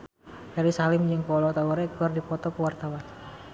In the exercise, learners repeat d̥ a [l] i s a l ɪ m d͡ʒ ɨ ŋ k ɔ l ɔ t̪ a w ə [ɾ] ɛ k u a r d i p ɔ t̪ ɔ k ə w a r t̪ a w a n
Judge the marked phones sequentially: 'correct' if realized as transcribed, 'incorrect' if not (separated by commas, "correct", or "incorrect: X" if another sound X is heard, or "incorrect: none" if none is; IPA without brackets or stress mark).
incorrect: ɾ, correct